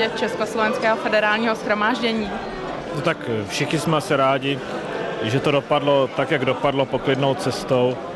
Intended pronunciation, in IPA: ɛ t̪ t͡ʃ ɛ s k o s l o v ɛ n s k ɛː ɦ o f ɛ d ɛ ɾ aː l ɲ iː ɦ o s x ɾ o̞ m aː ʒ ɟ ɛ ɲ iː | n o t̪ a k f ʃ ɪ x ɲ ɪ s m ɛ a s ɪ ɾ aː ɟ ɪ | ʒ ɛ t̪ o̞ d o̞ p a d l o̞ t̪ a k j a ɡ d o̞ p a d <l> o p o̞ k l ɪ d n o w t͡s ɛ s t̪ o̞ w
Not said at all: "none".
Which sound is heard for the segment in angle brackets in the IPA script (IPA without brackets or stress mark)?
l